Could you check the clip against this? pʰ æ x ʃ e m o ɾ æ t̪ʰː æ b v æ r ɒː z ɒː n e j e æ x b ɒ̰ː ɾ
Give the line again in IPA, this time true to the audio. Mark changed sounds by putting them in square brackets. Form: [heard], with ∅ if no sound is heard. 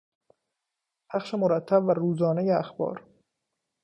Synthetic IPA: pʰ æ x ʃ e m o ɾ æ t̪ʰː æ b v æ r [uː] z ɒː n e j e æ x b ɒ̰ː ɾ